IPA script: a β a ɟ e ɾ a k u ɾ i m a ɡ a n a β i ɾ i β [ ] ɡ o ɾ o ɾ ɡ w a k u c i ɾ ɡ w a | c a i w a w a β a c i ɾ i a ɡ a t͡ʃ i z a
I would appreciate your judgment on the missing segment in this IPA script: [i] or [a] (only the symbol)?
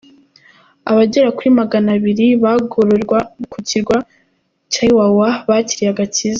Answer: a